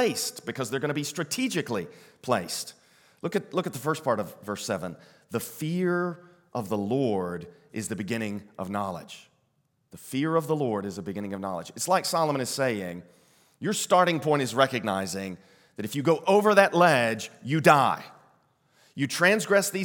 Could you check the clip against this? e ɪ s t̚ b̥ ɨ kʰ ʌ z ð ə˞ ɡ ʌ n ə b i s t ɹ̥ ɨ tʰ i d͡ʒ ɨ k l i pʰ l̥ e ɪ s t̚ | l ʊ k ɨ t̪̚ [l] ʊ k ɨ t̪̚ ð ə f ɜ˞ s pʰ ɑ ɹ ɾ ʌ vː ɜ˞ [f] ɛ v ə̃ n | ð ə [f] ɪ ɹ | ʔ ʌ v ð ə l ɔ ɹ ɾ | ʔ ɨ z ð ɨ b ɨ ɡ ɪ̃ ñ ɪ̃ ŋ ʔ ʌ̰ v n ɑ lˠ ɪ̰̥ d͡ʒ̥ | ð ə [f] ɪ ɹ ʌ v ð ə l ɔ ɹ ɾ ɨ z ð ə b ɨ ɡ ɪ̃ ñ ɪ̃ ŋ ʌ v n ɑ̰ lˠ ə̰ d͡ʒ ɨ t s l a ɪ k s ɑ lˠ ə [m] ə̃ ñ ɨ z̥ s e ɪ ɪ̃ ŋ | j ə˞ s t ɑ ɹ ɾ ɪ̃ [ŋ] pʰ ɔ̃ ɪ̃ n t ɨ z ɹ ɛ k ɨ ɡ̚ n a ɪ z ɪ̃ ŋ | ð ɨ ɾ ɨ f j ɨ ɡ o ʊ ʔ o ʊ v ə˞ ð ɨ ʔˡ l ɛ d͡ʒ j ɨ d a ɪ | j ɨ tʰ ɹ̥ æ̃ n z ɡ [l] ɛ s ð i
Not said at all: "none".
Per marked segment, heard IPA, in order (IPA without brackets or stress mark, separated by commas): l, s, f, f, m, ŋ, ɹ